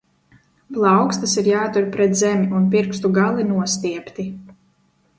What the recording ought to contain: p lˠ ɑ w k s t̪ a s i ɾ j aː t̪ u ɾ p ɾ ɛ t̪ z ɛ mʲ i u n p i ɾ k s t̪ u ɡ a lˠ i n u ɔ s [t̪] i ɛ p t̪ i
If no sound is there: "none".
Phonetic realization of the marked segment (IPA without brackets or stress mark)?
t̪